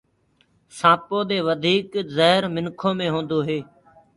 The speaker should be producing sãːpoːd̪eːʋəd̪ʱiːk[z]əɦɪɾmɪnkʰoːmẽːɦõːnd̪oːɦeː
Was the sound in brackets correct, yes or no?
yes